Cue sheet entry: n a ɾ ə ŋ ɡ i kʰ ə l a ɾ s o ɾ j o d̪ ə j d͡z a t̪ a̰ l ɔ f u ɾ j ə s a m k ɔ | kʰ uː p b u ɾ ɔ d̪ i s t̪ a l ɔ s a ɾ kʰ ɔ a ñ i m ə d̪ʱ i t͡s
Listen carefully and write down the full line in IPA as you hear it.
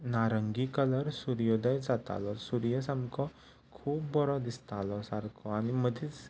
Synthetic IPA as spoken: n a ɾ ə ŋ ɡ i k ə l ə ɾ s u ɾ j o d̪ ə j d͡z a t̪ a̰ l ɔ s u ɾ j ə s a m k ɔ | kʰ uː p b ɔ ɾ ɔ d̪ i s t̪ a l ɔ s a ɾ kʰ ɔ a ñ i m ə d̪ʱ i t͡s